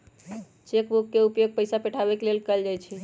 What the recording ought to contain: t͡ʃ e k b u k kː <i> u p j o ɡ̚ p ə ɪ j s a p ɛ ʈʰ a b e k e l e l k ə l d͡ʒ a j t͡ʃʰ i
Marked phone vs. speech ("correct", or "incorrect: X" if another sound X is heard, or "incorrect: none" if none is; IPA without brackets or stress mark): incorrect: e